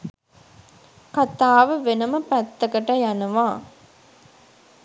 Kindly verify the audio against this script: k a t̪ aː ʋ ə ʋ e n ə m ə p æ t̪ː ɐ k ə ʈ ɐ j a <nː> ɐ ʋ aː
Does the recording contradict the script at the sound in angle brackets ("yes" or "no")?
yes